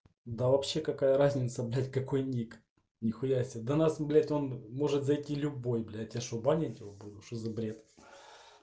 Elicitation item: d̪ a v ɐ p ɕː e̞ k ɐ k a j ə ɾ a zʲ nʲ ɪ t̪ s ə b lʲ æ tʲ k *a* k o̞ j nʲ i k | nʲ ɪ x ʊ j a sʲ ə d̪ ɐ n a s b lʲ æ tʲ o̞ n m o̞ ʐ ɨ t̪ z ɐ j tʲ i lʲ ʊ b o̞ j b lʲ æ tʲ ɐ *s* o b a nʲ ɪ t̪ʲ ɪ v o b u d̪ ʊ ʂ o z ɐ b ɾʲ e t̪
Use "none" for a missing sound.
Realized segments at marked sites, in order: ɐ, ʂ

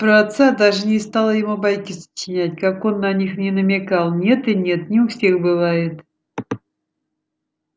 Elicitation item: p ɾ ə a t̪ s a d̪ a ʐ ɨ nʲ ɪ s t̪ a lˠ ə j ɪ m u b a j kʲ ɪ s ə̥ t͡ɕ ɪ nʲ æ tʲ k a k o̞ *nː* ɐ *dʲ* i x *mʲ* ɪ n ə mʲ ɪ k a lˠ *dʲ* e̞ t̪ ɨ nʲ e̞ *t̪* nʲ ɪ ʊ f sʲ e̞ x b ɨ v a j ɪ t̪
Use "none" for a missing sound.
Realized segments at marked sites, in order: nː, nʲ, nʲ, nʲ, t̪

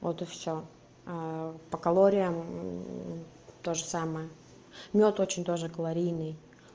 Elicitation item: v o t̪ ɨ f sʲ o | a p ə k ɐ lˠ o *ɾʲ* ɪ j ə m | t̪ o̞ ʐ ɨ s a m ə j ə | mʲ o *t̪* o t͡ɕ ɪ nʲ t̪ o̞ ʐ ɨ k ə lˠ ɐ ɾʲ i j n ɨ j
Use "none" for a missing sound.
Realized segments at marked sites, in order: ɾʲ, t̪

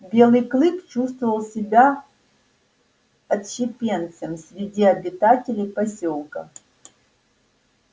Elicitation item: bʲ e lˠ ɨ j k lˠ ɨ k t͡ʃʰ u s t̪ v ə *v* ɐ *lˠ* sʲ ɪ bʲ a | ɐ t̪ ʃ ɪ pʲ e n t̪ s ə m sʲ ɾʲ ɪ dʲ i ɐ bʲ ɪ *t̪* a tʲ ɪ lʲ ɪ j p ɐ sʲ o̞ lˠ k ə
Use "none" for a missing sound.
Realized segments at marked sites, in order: v, lˠ, t̪

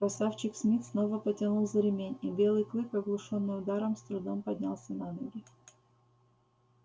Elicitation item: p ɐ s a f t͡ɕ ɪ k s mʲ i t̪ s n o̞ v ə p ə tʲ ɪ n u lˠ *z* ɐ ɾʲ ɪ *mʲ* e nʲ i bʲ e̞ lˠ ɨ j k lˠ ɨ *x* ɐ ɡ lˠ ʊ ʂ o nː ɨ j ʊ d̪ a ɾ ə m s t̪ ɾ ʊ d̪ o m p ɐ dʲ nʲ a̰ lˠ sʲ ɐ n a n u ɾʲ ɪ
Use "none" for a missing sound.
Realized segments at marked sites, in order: z, mʲ, k

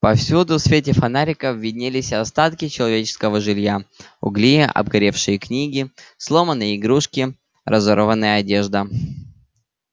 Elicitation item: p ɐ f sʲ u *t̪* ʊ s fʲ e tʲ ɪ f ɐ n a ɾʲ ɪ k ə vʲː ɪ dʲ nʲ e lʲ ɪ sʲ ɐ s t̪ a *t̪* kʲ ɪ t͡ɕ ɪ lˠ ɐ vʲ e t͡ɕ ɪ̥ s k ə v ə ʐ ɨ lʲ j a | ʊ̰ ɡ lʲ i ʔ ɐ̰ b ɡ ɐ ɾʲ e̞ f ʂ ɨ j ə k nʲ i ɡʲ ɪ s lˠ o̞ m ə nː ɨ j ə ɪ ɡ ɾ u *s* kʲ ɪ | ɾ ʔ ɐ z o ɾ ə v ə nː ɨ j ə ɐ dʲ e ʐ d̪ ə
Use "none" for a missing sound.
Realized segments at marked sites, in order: d̪, t̪, ʂ

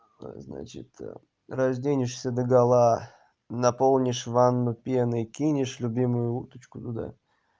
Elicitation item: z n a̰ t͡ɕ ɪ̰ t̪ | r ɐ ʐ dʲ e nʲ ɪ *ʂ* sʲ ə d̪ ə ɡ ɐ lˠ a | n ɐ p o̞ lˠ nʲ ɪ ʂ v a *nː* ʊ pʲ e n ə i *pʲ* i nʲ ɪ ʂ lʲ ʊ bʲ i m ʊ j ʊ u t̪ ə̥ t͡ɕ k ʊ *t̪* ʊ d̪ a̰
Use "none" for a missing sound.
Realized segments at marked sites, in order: ʂ, nː, kʲ, t̪

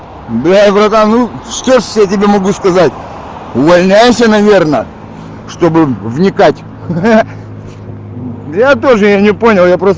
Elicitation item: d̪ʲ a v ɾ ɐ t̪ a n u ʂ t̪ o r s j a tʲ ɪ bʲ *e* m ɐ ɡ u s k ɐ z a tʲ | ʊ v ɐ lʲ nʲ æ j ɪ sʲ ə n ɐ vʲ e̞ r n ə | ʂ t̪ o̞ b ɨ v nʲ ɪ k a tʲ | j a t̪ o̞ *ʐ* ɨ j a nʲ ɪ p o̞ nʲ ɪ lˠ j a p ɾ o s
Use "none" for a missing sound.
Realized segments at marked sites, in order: e, ʐ

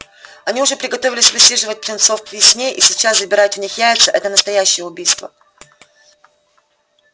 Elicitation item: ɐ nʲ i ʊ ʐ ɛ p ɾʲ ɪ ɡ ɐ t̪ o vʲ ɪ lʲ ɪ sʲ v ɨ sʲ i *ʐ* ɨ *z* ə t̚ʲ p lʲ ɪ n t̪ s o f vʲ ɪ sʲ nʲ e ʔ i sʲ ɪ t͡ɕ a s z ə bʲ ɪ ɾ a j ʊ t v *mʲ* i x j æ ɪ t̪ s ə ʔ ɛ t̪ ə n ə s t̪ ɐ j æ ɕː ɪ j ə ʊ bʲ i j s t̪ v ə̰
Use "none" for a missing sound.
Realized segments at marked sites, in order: ʐ, v, nʲ

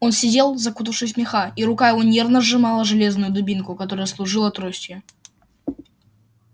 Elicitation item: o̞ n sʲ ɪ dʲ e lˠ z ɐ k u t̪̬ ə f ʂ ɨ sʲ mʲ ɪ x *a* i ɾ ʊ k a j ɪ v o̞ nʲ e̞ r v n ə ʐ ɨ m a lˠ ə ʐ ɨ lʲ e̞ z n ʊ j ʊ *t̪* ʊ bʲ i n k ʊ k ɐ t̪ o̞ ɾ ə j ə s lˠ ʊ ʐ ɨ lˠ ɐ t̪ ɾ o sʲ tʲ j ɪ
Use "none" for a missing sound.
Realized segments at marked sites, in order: a, d̪

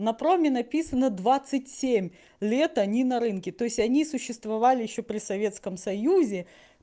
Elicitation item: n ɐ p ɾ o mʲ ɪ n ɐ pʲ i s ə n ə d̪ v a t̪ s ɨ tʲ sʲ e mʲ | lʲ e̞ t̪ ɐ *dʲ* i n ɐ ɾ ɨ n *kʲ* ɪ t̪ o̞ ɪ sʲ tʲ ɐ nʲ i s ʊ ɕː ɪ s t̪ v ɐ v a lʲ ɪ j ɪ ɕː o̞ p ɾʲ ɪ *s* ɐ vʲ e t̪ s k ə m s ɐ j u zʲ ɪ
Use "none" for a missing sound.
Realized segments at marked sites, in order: nʲ, kʲ, s

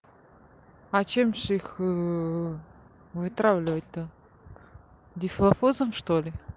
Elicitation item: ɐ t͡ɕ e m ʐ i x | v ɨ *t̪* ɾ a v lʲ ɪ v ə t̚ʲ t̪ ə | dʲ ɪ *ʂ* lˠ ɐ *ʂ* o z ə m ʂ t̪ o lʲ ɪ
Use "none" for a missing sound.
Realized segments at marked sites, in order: t̪, f, f

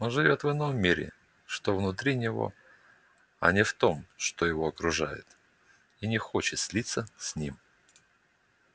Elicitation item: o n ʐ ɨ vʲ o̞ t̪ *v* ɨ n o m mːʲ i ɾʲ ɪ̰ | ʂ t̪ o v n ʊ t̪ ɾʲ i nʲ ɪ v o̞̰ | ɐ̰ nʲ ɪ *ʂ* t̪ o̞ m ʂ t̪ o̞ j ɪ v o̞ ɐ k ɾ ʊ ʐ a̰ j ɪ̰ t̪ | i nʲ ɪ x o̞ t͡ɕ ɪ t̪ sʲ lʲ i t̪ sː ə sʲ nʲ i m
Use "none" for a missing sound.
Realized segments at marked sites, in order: v, f

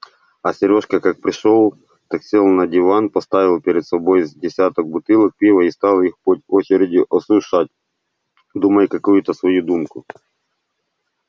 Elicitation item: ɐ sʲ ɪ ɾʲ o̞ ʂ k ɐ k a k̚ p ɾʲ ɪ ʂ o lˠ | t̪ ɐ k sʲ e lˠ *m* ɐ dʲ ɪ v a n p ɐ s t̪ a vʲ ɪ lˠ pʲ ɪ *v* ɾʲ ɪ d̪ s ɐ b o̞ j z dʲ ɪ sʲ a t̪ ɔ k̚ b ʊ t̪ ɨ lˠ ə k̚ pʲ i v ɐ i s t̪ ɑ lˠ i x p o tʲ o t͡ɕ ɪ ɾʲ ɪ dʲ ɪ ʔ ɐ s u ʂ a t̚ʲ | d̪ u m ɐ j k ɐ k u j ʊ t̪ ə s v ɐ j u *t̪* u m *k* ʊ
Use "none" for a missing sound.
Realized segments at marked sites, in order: n, none, d̪, k

